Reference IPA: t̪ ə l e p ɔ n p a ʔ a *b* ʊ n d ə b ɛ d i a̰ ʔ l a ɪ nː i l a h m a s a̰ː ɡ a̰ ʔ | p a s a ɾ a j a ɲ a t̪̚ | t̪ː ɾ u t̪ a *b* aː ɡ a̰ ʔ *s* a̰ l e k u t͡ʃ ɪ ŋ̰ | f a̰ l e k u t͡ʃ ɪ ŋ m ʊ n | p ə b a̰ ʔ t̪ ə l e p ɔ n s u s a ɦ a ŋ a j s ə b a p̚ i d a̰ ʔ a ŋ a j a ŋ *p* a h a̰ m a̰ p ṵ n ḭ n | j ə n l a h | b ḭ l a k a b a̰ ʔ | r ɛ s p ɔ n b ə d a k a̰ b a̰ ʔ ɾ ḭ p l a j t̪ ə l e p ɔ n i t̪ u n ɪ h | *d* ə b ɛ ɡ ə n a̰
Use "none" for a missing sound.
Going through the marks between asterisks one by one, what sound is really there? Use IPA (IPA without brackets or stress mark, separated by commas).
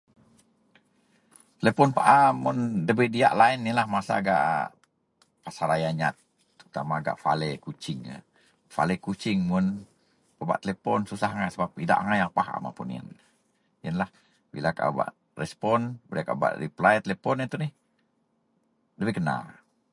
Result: m, m, f, p, d